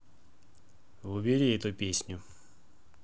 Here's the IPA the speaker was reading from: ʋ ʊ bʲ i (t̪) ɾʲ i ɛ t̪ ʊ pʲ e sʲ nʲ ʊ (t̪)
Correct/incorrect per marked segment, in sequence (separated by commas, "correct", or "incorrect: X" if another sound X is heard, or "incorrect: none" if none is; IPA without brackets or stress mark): incorrect: none, incorrect: none